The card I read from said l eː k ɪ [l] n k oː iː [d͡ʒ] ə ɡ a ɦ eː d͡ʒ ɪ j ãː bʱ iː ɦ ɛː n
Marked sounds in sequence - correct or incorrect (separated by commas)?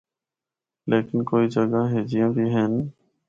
incorrect, correct